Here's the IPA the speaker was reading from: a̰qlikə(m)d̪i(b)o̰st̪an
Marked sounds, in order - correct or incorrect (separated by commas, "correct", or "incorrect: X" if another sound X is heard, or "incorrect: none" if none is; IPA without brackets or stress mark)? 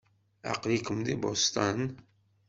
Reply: correct, correct